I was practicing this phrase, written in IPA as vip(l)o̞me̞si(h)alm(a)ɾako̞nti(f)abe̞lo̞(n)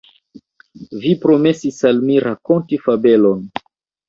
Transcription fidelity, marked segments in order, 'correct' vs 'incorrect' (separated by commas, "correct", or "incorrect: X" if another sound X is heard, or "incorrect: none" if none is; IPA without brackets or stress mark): incorrect: ɾ, incorrect: s, incorrect: i, correct, correct